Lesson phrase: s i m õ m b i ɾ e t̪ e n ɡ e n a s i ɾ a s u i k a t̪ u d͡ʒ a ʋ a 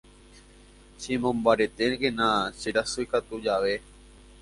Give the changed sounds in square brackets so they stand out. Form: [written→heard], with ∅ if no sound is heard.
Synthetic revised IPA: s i m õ m b [i→a] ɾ e t̪ e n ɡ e n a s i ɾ a s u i k a t̪ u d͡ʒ a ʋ [a→e]